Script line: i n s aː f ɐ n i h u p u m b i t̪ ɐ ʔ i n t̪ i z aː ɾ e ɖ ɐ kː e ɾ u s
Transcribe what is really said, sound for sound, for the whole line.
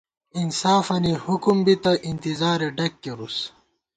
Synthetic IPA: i n s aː f ɐ n i h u k u m b i t̪ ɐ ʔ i n t̪ i z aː ɾ e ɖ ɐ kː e ɾ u s